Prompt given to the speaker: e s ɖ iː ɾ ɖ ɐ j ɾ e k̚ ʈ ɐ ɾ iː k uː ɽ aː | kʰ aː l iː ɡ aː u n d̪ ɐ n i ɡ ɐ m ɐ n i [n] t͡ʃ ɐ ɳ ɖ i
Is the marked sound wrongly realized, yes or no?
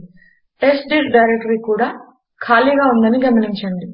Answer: yes